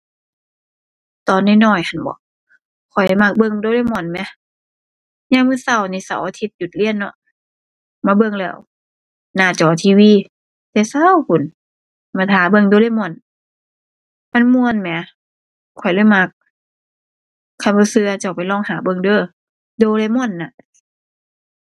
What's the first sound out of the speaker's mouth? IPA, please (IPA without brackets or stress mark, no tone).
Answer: t̪